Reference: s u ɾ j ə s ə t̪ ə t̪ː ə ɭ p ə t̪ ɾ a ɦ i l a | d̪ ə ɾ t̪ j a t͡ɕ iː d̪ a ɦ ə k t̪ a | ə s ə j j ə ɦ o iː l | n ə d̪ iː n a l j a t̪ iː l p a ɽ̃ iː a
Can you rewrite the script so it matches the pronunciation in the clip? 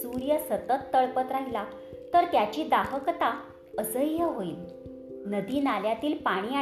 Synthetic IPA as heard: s u ɾ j ə s ə t̪ ə t̪ː ə ɭ p ə t̪ ɾ a ɦ i l a | t̪ ə ɾ t̪ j a t͡ɕ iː d̪ a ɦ ə k t̪ a | ə s ə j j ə ɦ o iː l | n ə d̪ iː n a l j a t̪ iː l p a ɽ̃ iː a